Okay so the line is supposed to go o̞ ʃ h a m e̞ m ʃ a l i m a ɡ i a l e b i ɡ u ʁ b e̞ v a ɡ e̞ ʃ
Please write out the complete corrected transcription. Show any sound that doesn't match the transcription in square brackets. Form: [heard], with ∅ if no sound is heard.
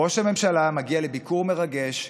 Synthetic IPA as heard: o̞ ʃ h a m e̞ m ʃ a l [a] m a ɡ i a l e b i [k] u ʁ [m] e̞ [ʁ] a ɡ e̞ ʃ

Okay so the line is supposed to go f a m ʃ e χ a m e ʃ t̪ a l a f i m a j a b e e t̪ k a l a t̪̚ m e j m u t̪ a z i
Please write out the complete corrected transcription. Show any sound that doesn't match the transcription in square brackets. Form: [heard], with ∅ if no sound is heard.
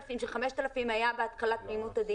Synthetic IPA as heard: f [i] m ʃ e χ a m e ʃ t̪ a l a f i m a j a b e [a] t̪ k a l a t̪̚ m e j m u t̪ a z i

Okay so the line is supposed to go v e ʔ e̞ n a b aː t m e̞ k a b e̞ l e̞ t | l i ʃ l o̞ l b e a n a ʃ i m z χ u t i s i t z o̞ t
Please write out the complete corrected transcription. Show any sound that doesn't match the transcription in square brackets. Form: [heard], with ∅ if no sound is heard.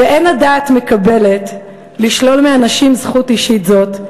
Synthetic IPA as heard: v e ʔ e̞ n a [d] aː t m e̞ k a b e̞ l e̞ t | l i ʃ l o̞ l [m] e a n a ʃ i m z χ u t i [ʃ] i t z o̞ t

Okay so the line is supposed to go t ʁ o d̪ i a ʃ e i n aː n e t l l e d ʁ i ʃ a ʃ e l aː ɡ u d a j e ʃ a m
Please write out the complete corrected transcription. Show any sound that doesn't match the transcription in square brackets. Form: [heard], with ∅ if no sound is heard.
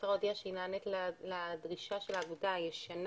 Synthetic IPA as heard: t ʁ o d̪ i a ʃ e i n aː n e t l l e d ʁ i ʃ a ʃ e l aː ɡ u d a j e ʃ a [n]

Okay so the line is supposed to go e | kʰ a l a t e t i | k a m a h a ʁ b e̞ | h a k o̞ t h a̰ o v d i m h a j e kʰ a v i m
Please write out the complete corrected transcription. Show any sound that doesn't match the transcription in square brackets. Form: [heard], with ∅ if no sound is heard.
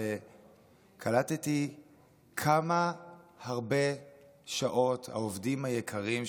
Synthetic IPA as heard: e | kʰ a l a t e t i | [kʰ] a m a h a ʁ b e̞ | [ʃ] a [ʔ] o̞ t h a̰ o v d i m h a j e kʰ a [ʁ] i m

